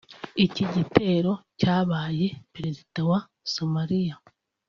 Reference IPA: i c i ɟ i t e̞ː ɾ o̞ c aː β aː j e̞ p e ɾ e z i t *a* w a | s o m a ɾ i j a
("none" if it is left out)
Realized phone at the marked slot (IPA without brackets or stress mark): a